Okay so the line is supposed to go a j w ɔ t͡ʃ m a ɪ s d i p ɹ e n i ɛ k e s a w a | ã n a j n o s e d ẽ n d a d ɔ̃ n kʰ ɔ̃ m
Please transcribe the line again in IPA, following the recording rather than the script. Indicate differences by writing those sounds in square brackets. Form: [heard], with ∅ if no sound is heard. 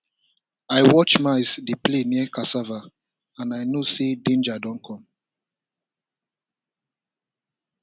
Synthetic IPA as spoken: a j w ɔ t͡ʃ m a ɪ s d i p [l] e n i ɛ k [a] s a [v] a | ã n a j n o s e d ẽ n [d͡ʒ] a d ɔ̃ n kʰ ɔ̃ m